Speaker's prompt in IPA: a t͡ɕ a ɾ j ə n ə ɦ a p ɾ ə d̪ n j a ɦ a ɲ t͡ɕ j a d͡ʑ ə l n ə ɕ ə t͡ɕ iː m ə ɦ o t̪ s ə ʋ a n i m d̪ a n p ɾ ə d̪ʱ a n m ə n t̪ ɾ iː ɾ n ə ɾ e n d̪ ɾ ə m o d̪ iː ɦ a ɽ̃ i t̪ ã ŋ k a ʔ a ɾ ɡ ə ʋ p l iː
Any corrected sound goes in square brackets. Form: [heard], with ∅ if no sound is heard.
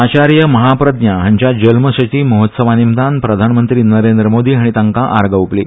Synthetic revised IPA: a t͡ɕ a ɾ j ə [m] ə ɦ a p ɾ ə d̪ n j a ɦ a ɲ t͡ɕ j a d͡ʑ ə l [m] ə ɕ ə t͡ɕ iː m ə ɦ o t̪ s ə ʋ a n i m d̪ a n p ɾ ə d̪ʱ a n m ə n t̪ ɾ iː [∅] n ə ɾ e n d̪ ɾ ə m o d̪ iː ɦ a ɽ̃ i t̪ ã ŋ k a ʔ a ɾ ɡ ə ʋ p l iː